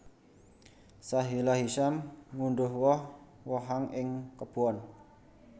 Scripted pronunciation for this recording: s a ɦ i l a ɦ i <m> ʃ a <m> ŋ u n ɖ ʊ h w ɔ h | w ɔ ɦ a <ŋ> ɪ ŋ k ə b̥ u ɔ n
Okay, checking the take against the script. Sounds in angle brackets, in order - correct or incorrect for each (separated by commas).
incorrect, correct, correct